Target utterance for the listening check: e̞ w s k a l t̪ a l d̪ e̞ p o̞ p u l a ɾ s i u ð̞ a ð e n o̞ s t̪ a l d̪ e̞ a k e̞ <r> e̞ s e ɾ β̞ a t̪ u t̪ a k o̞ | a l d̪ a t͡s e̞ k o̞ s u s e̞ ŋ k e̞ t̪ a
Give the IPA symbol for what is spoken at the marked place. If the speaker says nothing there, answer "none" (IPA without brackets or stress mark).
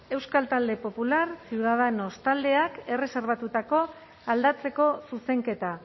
r